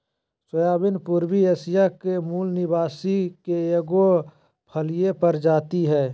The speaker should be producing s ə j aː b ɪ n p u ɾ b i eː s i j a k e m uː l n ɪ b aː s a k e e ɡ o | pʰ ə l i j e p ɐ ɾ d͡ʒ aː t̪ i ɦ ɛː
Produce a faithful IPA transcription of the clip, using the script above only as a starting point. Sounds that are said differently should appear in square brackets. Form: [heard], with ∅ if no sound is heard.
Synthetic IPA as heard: s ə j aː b ɪ n p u ɾ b i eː s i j a k e m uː l n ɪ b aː s [i] k e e ɡ o | pʰ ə l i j e p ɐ ɾ d͡ʒ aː t̪ i ɦ ɛː